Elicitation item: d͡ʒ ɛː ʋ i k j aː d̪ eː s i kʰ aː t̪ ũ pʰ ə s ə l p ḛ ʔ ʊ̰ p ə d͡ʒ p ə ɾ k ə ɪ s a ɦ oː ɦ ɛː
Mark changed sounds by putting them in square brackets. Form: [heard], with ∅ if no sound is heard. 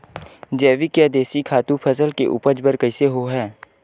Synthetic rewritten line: d͡ʒ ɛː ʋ i k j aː d̪ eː s i kʰ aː t̪ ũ pʰ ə s ə l [k] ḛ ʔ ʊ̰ p ə d͡ʒ [b] ə ɾ k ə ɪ s [e] ɦ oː ɦ ɛː